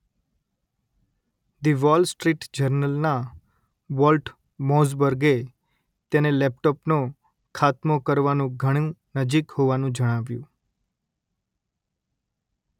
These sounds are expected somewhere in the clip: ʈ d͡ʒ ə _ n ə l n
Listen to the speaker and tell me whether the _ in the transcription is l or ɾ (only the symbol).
ɾ